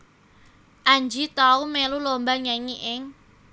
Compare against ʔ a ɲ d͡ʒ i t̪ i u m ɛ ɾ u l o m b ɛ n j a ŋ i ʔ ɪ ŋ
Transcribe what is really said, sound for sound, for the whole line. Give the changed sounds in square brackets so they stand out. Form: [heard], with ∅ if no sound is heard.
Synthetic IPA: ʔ a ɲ d͡ʒ i t̪ [a] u m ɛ [l] u l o m b [a] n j a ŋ i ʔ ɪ ŋ

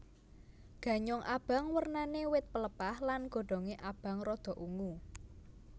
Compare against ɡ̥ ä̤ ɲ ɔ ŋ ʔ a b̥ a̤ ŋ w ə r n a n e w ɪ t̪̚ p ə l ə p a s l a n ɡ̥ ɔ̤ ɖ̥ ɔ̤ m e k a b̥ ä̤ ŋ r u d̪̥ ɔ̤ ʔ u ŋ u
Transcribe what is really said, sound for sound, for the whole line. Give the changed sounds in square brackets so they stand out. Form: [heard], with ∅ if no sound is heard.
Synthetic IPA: ɡ̥ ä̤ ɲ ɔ ŋ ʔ a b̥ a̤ ŋ w ə r n a n e w ɪ t̪̚ p ə l ə p a [h] l a n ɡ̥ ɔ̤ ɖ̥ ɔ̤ [ŋ] e [ʔ] a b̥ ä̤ ŋ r [ɔ] d̪̥ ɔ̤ ʔ u ŋ u

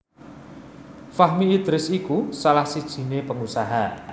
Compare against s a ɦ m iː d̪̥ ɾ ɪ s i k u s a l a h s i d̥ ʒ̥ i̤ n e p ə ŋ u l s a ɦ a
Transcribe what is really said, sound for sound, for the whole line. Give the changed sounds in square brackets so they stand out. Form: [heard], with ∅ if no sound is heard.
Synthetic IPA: [f] a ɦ m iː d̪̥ ɾ ɪ s i k u s a l a h s i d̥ ʒ̥ i̤ n e p ə ŋ u [∅] s a ɦ a

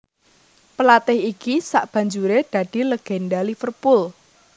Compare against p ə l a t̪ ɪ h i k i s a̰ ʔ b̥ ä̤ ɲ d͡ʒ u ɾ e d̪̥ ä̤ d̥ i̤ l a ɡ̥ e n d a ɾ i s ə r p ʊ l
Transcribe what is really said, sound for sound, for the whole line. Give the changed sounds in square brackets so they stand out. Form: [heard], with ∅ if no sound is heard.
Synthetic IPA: p ə l a t̪ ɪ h i k i s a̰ ʔ b̥ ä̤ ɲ d͡ʒ u ɾ e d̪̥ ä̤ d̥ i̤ l [ə] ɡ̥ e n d a [l] i [f] ə r p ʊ l

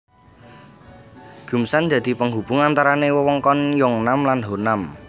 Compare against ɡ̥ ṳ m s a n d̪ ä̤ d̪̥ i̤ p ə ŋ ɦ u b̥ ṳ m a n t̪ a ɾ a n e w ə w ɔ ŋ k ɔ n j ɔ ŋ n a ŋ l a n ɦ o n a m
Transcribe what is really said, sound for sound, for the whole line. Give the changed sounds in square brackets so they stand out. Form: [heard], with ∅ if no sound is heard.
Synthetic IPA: ɡ̥ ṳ m s a n d̪ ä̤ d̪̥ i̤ p ə ŋ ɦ u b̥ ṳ [ŋ] a n t̪ a ɾ a n e w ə w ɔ ŋ k ɔ n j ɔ ŋ n a [m] l a n ɦ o n a m

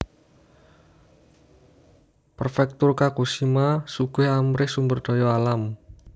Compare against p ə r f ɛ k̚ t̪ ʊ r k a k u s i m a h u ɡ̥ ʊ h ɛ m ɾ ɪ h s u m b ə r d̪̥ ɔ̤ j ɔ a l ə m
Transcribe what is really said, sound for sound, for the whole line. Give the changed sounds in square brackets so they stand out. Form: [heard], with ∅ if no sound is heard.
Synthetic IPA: p ə r f ɛ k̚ t̪ ʊ r k a k u s i m a [s] u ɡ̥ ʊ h [a] m ɾ ɪ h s u m b ə r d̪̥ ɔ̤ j ɔ a l [a] m

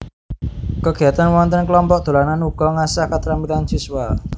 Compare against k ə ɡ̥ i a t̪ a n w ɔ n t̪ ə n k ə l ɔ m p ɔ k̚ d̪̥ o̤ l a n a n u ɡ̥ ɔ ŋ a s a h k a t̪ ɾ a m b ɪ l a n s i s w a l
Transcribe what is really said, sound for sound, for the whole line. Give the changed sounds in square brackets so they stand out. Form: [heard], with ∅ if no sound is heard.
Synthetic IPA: k ə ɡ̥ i a t̪ a n w ɔ n t̪ ə n k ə l ɔ m p ɔ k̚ d̪̥ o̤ l a n a n u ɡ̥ ɔ ŋ a s a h k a t̪ ɾ a m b [i] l a n s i s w a l

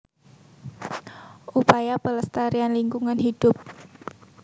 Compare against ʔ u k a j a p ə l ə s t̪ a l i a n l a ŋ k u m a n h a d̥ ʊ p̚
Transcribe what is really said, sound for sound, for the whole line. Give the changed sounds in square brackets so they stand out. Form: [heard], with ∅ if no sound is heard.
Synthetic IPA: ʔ u [p] a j a p ə l ə s t̪ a [ɾ] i a n l [i] ŋ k u [ŋ] a n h [i] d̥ ʊ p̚

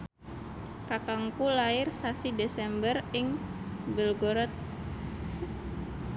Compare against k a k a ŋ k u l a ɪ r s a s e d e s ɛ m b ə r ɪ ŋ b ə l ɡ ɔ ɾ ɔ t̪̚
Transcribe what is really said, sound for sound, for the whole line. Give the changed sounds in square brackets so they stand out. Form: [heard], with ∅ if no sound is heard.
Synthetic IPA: k a k a ŋ k u l a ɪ r s a s [i] d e s ɛ m b ə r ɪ ŋ b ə l ɡ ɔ ɾ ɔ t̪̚

